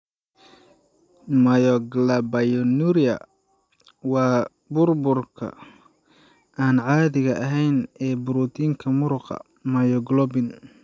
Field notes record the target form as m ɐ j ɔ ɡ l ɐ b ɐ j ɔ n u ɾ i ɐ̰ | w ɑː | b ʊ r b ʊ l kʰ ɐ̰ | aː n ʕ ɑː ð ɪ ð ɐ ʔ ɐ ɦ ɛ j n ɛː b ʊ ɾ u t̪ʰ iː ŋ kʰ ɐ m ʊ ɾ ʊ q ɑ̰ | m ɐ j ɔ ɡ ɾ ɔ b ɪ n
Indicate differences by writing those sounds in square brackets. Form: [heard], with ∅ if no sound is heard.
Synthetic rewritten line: m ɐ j ɔ ɡ l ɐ b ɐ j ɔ n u ɾ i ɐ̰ | w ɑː | b ʊ r b ʊ [r] kʰ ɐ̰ | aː n ʕ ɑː ð ɪ [ɣ] ɐ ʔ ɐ ɦ ɛ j n ɛː b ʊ ɾ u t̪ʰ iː ŋ kʰ ɐ m ʊ ɾ ʊ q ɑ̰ | m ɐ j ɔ ɡ [l] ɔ b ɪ n